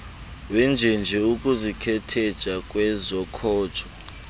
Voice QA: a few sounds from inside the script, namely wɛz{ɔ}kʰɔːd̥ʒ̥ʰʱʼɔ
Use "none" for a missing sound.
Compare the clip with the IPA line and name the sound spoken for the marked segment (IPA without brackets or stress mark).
ɔ